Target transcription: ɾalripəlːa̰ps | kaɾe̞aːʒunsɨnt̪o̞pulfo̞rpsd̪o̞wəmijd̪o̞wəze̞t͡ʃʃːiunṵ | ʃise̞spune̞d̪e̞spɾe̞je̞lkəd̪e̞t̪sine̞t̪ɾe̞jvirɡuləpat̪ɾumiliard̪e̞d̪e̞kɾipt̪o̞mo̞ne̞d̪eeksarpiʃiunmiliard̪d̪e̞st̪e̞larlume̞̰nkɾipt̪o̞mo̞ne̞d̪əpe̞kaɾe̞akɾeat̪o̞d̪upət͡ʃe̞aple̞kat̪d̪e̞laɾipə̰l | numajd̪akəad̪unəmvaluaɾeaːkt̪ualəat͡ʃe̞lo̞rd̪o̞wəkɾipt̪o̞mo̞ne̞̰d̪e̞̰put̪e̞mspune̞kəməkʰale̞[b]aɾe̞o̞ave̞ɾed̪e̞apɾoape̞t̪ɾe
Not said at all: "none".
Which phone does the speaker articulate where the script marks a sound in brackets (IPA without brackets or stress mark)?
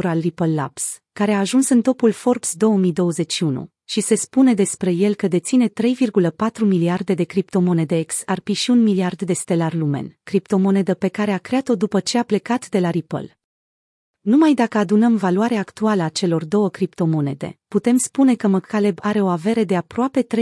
b